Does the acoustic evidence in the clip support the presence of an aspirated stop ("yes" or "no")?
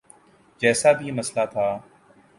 yes